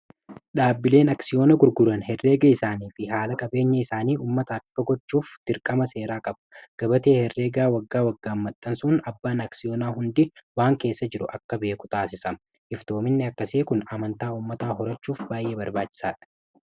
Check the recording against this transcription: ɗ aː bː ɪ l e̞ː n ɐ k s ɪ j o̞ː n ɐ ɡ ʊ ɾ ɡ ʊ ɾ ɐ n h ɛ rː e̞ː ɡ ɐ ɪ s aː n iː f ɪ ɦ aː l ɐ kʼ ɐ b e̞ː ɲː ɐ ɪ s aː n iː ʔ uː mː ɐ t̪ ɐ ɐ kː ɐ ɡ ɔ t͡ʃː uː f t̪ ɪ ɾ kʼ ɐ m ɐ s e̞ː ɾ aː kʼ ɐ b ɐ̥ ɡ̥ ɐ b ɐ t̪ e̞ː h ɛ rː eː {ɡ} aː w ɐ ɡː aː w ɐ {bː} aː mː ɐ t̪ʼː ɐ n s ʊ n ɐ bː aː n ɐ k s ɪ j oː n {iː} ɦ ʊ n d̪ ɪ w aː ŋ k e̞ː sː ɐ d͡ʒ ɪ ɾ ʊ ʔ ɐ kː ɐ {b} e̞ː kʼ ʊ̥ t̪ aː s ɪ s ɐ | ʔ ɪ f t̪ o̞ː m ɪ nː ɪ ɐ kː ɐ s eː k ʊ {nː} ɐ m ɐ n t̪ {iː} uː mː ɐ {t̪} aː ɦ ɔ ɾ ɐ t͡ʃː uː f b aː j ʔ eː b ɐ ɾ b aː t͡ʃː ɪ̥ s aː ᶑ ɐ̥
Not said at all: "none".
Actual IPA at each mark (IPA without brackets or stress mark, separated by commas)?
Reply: ɡ, ɡː, aː, b, n, aː, t̪